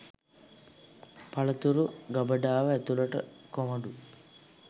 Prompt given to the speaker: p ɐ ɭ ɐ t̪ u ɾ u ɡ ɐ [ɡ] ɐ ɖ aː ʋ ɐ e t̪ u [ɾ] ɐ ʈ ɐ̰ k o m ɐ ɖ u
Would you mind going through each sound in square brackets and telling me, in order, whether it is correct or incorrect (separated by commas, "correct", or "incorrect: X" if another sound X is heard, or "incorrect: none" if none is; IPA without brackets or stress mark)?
incorrect: b, incorrect: l